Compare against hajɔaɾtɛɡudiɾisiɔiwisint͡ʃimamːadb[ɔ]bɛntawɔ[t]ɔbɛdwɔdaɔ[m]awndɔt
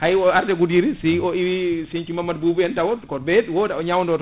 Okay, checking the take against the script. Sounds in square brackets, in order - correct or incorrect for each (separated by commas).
incorrect, incorrect, incorrect